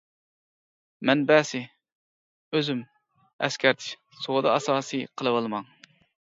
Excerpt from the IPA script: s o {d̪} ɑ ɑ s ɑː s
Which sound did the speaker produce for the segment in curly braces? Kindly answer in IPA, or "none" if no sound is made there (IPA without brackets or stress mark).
d̪